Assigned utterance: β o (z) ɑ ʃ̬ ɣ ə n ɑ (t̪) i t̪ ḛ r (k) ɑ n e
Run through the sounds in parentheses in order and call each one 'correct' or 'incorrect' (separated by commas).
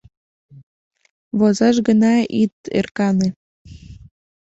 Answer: correct, incorrect, correct